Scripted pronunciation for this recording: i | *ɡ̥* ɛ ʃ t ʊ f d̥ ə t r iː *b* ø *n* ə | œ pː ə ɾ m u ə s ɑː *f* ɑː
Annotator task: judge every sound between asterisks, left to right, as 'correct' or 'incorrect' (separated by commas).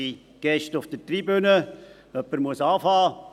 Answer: correct, correct, correct, correct